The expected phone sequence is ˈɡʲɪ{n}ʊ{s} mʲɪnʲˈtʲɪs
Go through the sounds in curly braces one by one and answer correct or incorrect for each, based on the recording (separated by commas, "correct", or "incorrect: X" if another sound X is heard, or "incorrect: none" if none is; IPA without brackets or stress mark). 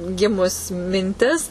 incorrect: m, correct